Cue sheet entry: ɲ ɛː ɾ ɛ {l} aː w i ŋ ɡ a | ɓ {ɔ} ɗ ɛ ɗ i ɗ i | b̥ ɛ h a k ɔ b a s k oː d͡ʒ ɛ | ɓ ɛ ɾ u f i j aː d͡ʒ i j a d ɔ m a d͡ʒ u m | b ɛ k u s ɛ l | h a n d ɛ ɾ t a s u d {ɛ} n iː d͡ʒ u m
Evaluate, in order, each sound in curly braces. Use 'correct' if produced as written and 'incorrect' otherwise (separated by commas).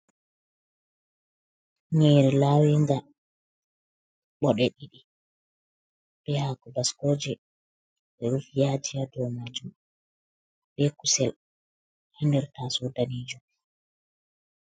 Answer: correct, correct, incorrect